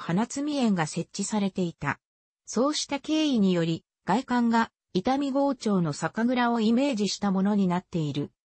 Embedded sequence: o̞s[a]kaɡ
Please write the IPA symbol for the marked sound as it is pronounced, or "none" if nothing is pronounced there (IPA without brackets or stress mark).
a